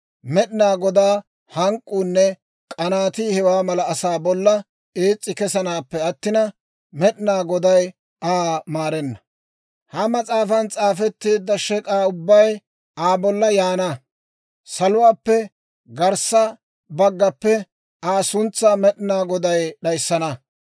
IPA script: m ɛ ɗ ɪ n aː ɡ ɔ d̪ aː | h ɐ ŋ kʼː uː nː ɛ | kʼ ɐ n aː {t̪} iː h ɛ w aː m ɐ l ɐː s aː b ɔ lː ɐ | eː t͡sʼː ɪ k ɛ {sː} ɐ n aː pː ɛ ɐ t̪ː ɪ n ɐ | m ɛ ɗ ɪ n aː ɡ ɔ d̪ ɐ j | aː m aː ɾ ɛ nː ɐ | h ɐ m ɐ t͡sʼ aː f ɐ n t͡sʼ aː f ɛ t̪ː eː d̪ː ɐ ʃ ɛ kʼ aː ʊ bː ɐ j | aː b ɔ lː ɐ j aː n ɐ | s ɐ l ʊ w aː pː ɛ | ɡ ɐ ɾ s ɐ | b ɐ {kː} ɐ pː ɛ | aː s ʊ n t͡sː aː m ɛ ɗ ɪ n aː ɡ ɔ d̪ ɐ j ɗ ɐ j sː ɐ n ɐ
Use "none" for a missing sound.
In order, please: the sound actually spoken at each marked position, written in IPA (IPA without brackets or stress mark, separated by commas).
t̪, s, ɡː